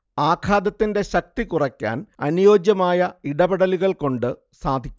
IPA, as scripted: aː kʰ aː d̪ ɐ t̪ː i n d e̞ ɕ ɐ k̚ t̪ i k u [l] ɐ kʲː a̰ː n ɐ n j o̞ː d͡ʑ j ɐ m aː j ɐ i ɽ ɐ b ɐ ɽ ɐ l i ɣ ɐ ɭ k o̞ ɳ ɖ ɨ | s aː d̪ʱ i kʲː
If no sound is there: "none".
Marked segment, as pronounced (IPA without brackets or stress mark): r